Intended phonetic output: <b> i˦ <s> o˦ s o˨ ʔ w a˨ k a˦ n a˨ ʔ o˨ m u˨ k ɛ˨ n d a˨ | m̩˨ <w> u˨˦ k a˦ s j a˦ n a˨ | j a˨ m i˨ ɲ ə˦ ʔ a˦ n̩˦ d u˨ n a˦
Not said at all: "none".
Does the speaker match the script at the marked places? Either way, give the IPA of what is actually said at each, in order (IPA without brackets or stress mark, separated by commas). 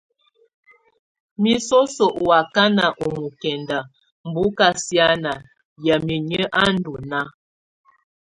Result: m, s, b